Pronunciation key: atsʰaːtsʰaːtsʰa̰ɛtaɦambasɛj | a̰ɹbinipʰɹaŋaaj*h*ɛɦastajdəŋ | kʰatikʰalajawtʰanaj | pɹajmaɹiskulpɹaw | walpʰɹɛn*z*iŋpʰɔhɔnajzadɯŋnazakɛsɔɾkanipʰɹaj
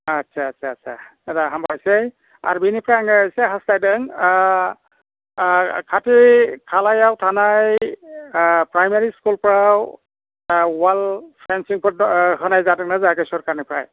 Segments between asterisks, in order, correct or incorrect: incorrect, incorrect

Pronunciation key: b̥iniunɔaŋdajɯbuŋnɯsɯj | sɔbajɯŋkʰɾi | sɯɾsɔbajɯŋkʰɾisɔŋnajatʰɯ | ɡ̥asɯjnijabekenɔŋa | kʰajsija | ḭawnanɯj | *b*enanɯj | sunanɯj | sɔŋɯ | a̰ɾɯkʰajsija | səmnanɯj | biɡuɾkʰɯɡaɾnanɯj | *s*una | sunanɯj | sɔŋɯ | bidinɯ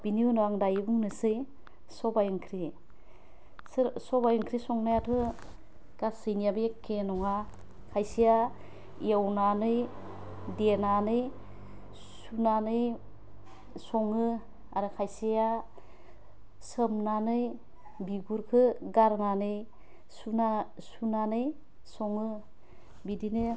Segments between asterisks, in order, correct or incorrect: incorrect, correct

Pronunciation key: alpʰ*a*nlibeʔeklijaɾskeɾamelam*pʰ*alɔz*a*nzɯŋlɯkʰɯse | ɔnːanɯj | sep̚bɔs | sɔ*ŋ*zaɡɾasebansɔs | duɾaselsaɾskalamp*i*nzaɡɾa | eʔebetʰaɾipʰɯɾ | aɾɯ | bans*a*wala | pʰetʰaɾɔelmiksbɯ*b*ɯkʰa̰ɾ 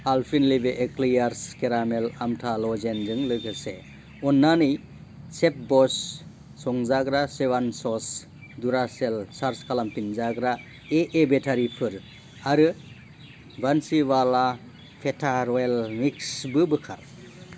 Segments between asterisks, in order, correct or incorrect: incorrect, incorrect, incorrect, correct, correct, incorrect, correct

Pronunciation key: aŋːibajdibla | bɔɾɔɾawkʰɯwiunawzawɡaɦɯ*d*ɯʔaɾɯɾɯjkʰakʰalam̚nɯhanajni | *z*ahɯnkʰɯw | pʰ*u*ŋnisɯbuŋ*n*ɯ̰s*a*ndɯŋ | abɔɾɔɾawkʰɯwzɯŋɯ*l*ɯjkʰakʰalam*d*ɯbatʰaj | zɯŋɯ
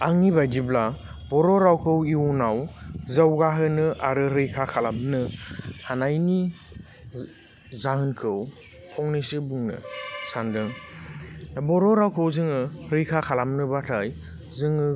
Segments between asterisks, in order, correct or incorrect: incorrect, correct, incorrect, correct, correct, incorrect, incorrect

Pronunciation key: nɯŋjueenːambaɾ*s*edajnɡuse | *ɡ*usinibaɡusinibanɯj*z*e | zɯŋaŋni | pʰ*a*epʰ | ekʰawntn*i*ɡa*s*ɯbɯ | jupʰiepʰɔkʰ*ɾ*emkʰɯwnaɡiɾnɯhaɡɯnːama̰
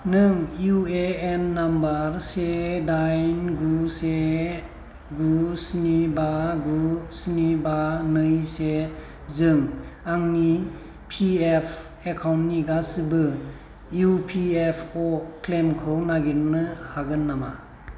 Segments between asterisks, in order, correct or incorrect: correct, correct, incorrect, incorrect, correct, correct, incorrect

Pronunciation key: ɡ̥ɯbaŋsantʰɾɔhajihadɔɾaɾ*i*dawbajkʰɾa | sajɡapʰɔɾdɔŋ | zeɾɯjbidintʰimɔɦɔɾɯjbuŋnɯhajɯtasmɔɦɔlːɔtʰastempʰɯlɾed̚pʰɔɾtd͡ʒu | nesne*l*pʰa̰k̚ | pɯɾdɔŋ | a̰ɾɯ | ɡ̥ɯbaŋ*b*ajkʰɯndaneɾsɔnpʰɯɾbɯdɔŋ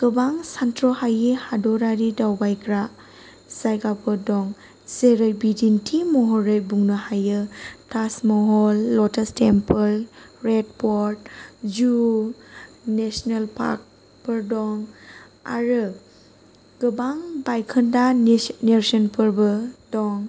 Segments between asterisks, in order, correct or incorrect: correct, correct, correct

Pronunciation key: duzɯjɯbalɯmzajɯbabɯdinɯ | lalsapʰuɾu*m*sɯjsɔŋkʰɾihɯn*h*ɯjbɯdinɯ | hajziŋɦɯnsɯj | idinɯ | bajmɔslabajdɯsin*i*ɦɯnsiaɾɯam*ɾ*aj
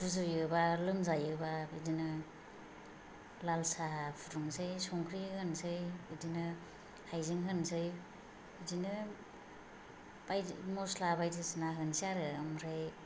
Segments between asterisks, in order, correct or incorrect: incorrect, incorrect, incorrect, correct

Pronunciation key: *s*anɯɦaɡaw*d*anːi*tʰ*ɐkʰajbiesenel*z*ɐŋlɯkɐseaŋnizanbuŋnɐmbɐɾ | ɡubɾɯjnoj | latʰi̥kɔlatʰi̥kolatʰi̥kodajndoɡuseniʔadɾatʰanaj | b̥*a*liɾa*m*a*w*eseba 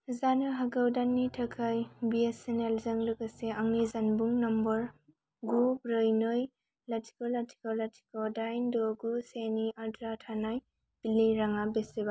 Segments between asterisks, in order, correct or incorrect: incorrect, correct, correct, correct, incorrect, incorrect, incorrect

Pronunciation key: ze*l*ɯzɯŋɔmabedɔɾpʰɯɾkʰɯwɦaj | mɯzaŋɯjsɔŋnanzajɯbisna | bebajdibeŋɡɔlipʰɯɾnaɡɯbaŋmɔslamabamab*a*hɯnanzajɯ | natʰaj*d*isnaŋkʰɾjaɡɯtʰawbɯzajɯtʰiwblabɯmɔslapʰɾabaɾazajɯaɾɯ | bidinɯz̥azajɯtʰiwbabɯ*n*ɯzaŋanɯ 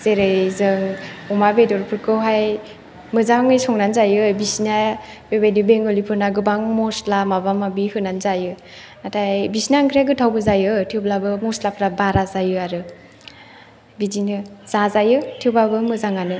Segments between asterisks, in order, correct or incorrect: incorrect, incorrect, incorrect, incorrect

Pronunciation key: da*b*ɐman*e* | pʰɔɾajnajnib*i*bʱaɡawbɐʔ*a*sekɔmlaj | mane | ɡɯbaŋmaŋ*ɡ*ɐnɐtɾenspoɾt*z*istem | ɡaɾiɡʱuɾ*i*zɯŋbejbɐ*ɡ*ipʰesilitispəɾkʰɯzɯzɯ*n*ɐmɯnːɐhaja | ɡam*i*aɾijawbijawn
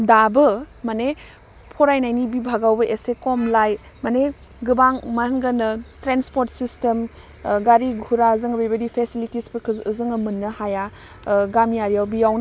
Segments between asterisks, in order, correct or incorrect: correct, correct, correct, incorrect, correct, incorrect, incorrect, incorrect, incorrect, incorrect

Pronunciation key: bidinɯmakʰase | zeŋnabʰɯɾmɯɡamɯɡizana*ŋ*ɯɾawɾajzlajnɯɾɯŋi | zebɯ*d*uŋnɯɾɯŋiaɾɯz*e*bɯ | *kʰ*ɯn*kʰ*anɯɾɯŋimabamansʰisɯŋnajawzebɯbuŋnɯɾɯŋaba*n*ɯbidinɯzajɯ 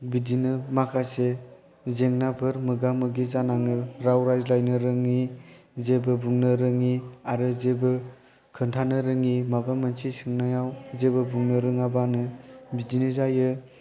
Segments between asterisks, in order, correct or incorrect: correct, incorrect, correct, correct, incorrect, correct

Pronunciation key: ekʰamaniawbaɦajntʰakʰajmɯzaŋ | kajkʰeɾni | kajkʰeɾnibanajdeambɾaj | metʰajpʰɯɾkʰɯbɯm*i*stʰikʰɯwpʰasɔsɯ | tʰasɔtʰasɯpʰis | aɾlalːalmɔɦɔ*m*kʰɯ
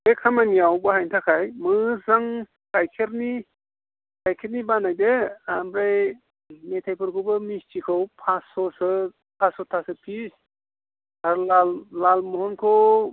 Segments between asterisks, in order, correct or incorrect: correct, incorrect

